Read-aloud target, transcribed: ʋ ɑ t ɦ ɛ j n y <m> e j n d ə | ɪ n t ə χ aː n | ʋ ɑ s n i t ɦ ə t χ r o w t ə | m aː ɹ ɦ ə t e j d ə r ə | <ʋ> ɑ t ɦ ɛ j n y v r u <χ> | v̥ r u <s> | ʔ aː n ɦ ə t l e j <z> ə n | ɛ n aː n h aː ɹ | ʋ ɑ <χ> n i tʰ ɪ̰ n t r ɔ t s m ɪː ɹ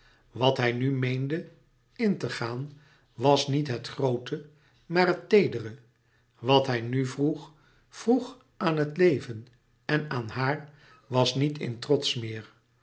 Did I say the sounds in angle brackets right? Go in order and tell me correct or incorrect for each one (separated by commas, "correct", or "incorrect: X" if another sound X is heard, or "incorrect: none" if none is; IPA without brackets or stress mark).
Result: correct, correct, correct, incorrect: χ, incorrect: v, incorrect: s